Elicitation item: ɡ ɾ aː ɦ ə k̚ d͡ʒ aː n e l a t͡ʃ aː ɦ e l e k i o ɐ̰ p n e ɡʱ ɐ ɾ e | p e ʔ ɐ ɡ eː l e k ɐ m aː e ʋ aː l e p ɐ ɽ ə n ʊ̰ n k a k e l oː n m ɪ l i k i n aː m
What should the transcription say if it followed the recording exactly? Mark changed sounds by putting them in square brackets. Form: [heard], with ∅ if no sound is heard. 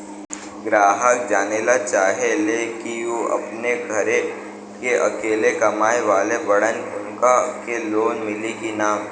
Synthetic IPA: ɡ ɾ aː ɦ ə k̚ d͡ʒ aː n e l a t͡ʃ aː ɦ e l e k i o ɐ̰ p n e ɡʱ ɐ ɾ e | [k] e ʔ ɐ [k] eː l e k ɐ m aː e ʋ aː l e [b] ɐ ɽ ə n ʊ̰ n k a k e l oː n m ɪ l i k i n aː m

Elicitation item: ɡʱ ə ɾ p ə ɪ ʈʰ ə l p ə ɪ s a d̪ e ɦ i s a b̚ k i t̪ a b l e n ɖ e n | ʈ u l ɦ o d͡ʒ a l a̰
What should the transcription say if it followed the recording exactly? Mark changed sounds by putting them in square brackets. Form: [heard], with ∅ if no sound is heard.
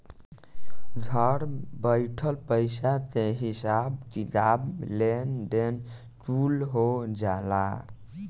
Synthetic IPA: ɡʱ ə ɾ [b] ə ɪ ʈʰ ə l p ə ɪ s a [t̪] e ɦ i s a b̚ k i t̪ a b l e n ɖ e n | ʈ u l ɦ o d͡ʒ a l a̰

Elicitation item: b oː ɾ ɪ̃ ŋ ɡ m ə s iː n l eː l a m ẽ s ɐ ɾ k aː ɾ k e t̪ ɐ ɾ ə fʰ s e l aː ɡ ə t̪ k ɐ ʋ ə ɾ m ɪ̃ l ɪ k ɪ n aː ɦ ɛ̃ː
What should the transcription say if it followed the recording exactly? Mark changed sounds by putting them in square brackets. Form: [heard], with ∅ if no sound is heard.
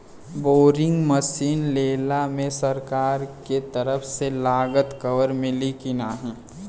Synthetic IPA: b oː ɾ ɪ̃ ŋ ɡ m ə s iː n l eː l a m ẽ s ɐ ɾ k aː ɾ k e t̪ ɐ ɾ ə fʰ s e l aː ɡ ə t̪ k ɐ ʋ ə ɾ m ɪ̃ l [i] k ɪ n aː ɦ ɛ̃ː

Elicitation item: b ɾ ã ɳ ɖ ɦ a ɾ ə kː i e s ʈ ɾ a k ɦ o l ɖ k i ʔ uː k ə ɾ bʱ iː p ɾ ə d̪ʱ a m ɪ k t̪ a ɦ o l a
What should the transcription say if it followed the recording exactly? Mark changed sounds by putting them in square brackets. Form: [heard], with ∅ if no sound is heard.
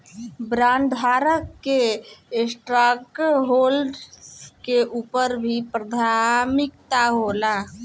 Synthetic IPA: b ɾ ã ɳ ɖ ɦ a ɾ ə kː [e] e s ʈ ɾ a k ɦ o l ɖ k [e] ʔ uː [p] ə ɾ bʱ [i] p ɾ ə d̪ʱ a m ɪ k t̪ a ɦ o l a

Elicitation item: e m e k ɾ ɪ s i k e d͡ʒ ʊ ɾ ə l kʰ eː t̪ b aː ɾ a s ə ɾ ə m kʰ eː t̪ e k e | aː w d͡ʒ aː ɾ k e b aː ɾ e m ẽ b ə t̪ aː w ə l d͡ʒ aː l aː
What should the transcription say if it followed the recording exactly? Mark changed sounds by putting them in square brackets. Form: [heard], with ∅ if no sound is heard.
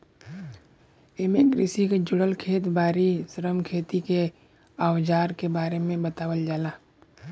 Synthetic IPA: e m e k ɾ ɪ s i k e d͡ʒ ʊ [ɽ] ə l kʰ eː t̪ b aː ɾ [i] s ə ɾ ə m kʰ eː t̪ [i] k e | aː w d͡ʒ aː ɾ k e b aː ɾ e m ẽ b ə t̪ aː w ə l d͡ʒ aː l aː

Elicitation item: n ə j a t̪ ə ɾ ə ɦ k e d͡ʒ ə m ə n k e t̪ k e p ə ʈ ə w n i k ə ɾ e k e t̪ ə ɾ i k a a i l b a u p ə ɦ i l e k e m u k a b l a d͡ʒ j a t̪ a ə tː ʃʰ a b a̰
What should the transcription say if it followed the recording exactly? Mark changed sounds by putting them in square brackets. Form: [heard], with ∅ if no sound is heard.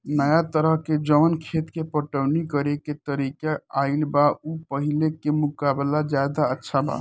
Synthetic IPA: n ə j a t̪ ə ɾ ə ɦ k e d͡ʒ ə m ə n [kʰ] e t̪ k e p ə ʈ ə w n i k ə ɾ e k e t̪ ə ɾ i k a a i l b a u p ə ɦ i l e k e m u k a b l a d͡ʒ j a [d̪] a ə tː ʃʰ a b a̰

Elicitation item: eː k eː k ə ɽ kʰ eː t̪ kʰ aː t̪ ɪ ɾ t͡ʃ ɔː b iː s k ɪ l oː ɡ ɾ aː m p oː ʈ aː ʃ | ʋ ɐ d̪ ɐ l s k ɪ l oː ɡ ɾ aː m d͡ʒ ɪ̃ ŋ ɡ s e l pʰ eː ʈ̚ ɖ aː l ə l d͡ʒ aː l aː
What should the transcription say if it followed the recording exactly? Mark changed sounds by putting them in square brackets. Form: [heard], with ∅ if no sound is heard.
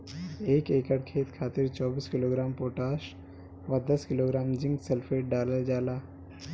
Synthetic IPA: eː k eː k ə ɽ kʰ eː t̪ kʰ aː t̪ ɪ ɾ t͡ʃ ɔː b iː s k ɪ l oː ɡ ɾ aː m p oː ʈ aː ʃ | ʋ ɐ d̪ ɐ [∅] s k ɪ l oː ɡ ɾ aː m d͡ʒ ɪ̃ ŋ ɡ s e l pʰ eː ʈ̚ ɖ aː l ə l d͡ʒ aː l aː

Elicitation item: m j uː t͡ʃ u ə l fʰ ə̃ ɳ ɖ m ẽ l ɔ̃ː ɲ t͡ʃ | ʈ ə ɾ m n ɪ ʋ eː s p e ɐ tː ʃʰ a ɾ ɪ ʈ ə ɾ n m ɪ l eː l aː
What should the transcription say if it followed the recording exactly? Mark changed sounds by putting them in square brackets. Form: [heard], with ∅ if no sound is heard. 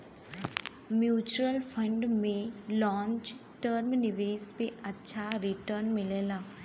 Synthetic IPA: m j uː t͡ʃ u ə l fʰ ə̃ ɳ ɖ m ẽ l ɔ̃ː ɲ t͡ʃ | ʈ ə ɾ m n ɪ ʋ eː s p e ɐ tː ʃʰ a ɾ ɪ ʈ ə ɾ n m ɪ l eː l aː

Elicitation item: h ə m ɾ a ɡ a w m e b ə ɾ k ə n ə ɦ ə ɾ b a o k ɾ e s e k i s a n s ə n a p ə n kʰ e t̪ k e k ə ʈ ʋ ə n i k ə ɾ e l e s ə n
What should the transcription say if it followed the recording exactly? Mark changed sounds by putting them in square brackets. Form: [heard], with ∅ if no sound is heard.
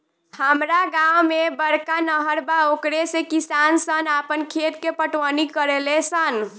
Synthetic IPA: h ə m ɾ a ɡ a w m e b ə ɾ k [a] n ə ɦ ə ɾ b a o k ɾ e s e k i s a n s ə n a p ə n kʰ e t̪ k e [p] ə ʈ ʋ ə n i k ə ɾ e l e s ə n

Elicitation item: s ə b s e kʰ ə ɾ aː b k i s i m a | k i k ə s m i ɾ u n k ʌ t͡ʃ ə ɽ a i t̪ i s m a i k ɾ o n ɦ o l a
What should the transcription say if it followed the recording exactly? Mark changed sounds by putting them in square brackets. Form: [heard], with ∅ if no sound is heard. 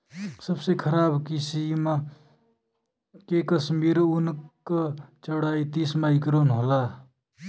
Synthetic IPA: s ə b s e kʰ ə ɾ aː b k i s i m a | k [e] k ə s m i ɾ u n k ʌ t͡ʃ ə ɽ a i t̪ i s m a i k ɾ o n ɦ o l a

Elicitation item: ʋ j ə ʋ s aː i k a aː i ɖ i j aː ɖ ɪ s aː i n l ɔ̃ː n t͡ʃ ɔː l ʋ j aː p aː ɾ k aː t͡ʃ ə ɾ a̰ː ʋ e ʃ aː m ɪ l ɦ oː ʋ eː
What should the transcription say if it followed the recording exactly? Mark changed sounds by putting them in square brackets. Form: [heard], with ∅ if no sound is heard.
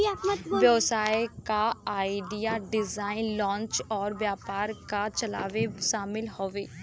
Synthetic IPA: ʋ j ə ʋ s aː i k a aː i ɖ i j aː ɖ ɪ [z] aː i n l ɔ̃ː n t͡ʃ ɔː [ɾ] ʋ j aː p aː ɾ k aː t͡ʃ ə [l] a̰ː ʋ e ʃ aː m ɪ l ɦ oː ʋ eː

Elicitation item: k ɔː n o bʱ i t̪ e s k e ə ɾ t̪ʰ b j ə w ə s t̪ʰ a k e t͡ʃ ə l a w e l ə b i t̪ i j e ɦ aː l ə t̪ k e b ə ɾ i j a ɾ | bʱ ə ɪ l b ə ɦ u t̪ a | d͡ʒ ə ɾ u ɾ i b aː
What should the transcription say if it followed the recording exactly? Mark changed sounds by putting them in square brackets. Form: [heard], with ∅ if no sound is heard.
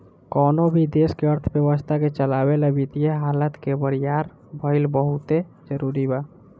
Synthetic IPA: k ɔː n o bʱ i [d̪] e s k e ə ɾ t̪ʰ b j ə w ə s t̪ʰ a k e t͡ʃ ə l a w e l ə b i t̪ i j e ɦ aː l ə t̪ k e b ə ɾ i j a ɾ | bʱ ə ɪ l b ə ɦ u t̪ [e] | d͡ʒ ə ɾ u ɾ i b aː

